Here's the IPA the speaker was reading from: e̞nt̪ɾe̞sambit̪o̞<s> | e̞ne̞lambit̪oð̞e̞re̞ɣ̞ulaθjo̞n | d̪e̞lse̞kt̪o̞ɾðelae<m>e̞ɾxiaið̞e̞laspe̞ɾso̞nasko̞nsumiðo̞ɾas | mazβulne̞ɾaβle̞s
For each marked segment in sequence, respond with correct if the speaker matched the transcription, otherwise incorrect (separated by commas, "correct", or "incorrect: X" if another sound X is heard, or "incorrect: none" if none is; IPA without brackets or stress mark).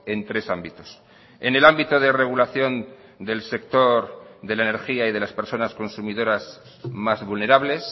correct, incorrect: n